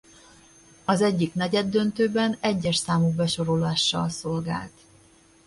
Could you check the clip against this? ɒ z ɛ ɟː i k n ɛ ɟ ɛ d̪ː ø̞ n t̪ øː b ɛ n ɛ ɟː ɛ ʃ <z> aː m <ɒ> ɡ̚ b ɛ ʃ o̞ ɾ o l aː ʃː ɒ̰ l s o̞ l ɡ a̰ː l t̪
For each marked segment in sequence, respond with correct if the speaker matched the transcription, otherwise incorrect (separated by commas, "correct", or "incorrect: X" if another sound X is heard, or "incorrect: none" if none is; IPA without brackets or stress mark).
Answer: incorrect: s, incorrect: u